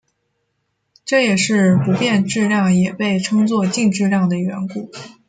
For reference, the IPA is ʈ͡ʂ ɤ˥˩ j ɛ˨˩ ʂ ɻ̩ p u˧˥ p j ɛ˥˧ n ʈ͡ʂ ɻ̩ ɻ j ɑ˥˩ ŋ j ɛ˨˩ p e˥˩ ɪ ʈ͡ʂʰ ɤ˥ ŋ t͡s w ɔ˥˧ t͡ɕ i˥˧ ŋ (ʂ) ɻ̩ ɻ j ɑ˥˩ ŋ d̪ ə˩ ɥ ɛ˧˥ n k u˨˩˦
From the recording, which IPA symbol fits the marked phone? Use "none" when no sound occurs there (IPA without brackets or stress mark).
ʈ͡ʂ